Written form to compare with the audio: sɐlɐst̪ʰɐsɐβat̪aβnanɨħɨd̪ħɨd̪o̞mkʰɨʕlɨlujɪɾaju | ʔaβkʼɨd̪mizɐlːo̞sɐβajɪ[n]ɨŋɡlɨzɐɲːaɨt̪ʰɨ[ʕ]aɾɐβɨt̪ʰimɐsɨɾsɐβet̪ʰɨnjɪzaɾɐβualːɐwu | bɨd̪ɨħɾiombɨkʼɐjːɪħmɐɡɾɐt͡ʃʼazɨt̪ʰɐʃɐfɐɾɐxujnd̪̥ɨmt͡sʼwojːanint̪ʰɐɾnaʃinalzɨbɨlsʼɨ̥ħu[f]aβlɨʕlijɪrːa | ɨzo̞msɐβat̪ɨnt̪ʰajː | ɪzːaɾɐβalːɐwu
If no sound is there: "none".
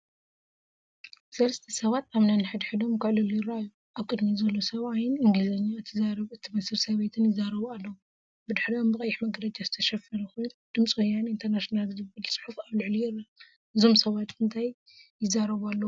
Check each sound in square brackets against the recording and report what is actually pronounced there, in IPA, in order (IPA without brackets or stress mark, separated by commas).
n, z, f